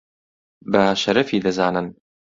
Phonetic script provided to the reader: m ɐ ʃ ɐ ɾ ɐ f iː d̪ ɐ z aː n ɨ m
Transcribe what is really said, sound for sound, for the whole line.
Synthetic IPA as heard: b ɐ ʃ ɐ ɾ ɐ f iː d̪ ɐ z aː n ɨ n